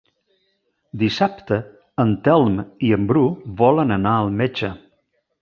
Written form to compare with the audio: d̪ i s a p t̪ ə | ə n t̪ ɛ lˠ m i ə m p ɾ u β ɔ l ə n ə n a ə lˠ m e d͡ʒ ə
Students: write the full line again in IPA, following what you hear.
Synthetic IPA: d̪ i s a p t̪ ə | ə n t̪ ɛ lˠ m i ə m b ɾ u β ɔ l ə n ə n a ə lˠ m e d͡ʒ ə